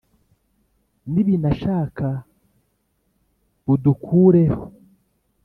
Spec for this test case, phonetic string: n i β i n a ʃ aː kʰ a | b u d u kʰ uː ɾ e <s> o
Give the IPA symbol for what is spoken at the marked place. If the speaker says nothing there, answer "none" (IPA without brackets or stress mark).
h